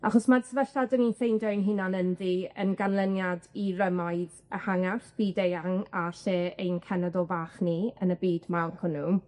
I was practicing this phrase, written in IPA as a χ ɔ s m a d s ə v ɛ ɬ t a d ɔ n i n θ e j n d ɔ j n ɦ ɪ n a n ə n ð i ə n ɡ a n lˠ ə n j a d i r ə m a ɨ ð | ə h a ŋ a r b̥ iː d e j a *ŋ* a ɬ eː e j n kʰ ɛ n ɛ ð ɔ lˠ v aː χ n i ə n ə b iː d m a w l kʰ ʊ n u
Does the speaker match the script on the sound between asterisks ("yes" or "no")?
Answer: yes